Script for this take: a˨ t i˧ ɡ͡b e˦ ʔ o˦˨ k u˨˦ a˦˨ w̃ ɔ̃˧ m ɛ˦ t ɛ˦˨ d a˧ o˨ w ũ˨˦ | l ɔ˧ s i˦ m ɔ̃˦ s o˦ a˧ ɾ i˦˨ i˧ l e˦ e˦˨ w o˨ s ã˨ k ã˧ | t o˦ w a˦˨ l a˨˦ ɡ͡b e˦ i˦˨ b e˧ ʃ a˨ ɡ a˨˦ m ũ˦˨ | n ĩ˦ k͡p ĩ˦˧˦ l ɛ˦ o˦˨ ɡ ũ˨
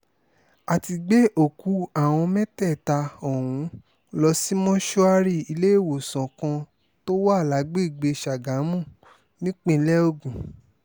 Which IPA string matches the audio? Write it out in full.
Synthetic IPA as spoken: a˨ t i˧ ɡ͡b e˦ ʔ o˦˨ k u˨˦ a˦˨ w̃ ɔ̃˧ m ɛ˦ t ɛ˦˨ t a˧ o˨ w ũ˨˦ | l ɔ˧ s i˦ m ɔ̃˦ ʃ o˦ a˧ ɾ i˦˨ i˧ l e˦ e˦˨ w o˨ s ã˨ k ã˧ | t o˦ w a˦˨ l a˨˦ ɡ͡b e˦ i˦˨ ɡ͡b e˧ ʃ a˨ ɡ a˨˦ m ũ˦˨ | n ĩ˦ k͡p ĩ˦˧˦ l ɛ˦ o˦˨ ɡ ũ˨

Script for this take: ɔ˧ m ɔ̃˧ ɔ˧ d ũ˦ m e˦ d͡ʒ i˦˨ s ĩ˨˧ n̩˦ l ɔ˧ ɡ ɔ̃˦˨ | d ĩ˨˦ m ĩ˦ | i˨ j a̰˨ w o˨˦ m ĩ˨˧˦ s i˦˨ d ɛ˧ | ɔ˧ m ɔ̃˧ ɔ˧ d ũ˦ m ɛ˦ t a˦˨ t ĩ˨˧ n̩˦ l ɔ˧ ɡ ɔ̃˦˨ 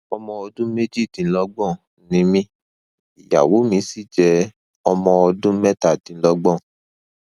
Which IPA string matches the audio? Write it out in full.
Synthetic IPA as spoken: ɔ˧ m ɔ̃˧ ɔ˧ d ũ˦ m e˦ d͡ʒ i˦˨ t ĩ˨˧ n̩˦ l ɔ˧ ɡ͡b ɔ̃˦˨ | n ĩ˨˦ m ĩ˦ | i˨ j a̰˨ w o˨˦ m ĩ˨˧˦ s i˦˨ d͡ʒ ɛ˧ | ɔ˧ m ɔ̃˧ ɔ˧ d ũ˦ m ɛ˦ t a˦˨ t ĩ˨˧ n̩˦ l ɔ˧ ɡ͡b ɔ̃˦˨

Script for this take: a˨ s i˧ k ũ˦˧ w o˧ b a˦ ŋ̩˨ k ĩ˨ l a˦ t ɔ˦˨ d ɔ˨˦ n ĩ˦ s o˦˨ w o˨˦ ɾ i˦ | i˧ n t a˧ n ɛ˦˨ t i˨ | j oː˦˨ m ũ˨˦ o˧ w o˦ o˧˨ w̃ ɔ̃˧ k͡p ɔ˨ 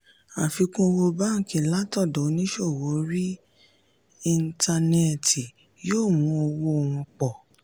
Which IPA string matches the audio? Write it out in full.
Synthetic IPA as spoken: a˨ f i˧ k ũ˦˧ w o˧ b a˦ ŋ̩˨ k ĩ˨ l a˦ t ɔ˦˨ d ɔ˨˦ n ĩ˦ ʃ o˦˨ w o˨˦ ɾ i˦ | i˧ n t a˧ n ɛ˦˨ t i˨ | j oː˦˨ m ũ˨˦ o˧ w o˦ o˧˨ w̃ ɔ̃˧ k͡p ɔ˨

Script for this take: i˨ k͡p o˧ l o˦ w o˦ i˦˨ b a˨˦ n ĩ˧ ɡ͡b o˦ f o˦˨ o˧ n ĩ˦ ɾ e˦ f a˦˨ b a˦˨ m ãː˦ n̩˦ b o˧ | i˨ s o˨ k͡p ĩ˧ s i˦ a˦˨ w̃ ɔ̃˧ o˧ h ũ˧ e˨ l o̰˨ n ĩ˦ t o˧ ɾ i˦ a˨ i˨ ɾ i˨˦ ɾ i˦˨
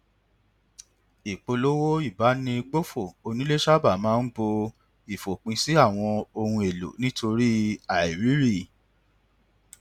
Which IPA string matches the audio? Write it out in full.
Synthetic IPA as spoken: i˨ k͡p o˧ l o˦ w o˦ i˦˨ b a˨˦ n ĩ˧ ɡ͡b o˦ f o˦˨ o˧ n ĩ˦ l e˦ ʃ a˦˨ b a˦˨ m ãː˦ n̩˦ b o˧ | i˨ f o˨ k͡p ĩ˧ s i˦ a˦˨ w̃ ɔ̃˧ o˧ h ũ˧ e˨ l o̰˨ n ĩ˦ t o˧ ɾ i˦ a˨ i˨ ɾ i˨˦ ɾ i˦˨

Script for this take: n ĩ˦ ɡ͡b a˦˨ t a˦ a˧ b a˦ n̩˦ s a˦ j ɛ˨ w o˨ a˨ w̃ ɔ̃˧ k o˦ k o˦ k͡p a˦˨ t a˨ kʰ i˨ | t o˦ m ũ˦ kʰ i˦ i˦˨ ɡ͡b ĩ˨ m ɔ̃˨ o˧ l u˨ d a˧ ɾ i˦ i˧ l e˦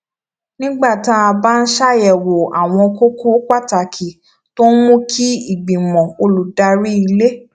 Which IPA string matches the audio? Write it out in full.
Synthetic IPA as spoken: n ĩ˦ ɡ͡b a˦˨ t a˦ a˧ b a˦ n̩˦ ʃ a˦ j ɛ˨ w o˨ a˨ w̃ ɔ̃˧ k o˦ k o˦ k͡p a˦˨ t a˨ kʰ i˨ | t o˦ m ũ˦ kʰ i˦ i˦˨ ɡ͡b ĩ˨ m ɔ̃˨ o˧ l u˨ d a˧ ɾ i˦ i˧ l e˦

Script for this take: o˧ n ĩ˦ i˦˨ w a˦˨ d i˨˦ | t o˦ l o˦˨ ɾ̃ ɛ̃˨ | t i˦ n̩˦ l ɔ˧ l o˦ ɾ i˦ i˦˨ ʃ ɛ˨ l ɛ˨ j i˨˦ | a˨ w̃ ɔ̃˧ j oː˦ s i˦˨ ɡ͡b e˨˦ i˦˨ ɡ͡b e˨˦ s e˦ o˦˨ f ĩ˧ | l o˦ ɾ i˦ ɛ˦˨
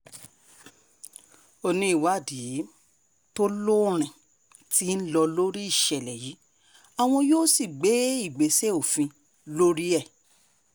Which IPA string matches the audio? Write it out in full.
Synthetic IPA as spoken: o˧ n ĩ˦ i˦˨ w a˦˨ d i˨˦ | t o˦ l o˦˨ ɾ̃ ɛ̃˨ | t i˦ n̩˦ l ɔ˧ l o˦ ɾ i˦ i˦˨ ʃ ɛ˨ l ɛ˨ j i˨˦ | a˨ w̃ ɔ̃˧ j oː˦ s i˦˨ ɡ͡b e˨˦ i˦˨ ɡ͡b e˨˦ s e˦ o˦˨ f ĩ˧ | l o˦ ɾ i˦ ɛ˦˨

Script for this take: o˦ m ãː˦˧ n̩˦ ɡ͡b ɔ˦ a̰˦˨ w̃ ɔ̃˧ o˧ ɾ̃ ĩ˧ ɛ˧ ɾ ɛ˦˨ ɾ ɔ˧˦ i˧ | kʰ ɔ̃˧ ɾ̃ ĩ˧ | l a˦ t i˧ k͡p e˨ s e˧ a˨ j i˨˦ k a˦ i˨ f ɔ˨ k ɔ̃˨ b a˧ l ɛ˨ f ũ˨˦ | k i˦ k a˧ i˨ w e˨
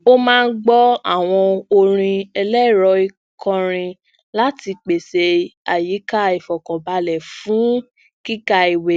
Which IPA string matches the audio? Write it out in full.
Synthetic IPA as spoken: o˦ m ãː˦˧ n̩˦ ɡ͡b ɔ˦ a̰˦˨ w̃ ɔ̃˧ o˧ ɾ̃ ĩ˧ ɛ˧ l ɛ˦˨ ɾ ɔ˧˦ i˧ | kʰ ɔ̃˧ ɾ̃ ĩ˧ | l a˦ t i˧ k͡p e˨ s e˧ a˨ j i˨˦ k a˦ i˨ f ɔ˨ k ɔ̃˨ b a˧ l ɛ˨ f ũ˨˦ | k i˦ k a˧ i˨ w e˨

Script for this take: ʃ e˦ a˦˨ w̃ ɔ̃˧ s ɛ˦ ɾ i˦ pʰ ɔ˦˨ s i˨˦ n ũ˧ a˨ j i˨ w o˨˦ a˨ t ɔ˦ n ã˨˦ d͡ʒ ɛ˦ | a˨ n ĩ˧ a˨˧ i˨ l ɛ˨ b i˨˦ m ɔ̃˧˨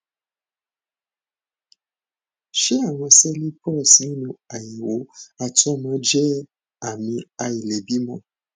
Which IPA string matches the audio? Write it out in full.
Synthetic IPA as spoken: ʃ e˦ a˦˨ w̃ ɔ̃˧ s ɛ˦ l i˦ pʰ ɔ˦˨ s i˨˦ n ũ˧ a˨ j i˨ w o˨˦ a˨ t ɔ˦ m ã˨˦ d͡ʒ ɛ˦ | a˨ m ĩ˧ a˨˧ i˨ l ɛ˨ b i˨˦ m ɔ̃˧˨

